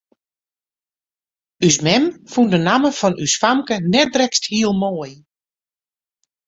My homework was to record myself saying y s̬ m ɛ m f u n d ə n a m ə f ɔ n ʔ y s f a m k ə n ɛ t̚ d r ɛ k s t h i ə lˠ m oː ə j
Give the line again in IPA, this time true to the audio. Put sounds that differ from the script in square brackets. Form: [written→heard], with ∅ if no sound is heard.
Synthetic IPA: y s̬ m ɛ m f u n d ə n a m ə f ɔ n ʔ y s f a m k ə n ɛ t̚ d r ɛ k s t h i ə lˠ m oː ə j